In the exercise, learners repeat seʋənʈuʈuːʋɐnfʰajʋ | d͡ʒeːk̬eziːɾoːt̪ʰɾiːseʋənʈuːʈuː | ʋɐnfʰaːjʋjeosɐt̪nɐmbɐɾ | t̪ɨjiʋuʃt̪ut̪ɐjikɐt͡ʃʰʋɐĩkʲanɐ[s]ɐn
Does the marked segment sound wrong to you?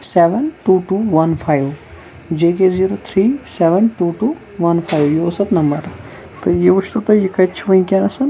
no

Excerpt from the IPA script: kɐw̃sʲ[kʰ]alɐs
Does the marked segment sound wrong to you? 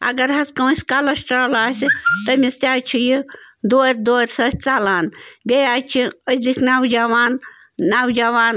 yes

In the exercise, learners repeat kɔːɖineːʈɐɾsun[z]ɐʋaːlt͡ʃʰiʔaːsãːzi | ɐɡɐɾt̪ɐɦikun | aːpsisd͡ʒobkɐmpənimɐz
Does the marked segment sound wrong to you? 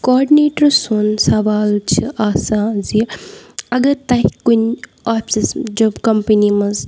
yes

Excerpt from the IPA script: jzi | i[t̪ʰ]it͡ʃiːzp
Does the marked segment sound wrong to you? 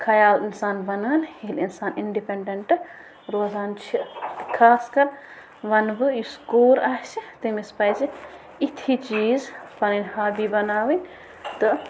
no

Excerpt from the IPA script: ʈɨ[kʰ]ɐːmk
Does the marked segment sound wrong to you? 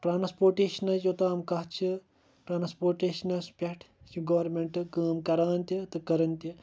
yes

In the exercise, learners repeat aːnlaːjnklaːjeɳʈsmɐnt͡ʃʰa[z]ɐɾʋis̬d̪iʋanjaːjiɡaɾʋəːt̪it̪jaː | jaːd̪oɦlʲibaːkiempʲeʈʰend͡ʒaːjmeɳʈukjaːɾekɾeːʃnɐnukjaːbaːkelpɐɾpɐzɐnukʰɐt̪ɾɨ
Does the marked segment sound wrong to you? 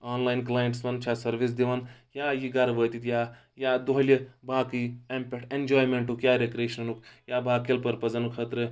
yes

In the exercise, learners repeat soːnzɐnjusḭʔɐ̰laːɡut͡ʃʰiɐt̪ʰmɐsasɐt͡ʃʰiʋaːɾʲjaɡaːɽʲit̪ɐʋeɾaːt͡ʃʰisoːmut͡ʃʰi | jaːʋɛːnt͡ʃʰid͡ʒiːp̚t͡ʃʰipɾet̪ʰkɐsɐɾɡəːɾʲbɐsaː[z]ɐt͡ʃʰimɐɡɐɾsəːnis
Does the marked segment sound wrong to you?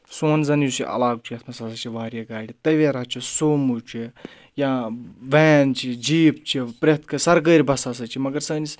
yes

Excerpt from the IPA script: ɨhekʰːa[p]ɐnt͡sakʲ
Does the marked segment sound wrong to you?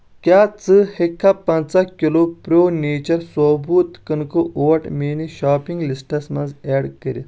no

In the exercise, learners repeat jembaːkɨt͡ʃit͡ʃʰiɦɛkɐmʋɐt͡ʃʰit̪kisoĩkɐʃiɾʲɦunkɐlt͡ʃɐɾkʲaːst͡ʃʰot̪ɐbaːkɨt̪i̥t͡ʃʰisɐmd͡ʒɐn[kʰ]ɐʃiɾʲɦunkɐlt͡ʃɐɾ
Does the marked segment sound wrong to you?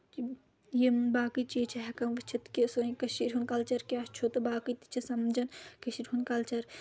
yes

